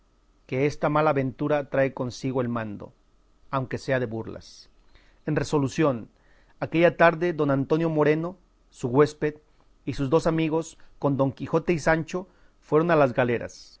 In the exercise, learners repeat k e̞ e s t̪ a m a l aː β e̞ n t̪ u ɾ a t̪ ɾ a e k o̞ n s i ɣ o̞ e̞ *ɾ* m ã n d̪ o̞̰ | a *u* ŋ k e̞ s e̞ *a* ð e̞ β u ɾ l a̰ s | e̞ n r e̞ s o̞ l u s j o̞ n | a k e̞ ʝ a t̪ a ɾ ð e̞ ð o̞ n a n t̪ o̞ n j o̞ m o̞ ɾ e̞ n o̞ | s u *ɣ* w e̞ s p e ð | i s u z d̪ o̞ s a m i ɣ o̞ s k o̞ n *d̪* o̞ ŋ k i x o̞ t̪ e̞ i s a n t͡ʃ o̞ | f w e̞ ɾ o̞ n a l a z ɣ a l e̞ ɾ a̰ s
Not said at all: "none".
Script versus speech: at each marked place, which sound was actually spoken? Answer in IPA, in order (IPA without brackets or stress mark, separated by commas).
l, w, a, ɣ, d̪